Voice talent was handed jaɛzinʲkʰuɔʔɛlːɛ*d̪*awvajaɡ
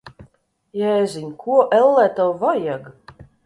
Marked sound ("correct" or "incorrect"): incorrect